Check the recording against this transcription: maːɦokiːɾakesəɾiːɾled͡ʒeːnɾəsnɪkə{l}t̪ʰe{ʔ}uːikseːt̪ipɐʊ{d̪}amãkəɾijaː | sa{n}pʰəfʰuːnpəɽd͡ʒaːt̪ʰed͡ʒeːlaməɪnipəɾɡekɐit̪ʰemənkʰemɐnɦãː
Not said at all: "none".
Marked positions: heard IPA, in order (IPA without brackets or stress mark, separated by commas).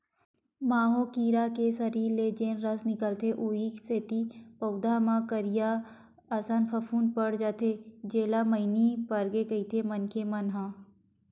l, ʔ, d̪, n